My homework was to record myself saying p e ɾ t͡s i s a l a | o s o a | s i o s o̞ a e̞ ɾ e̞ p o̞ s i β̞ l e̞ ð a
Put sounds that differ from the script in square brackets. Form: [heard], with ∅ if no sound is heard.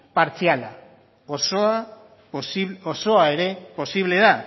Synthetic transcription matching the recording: p [a] ɾ t͡s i [∅] a l a | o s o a | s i o s o̞ a e̞ ɾ e̞ p o̞ s i β̞ l e̞ ð a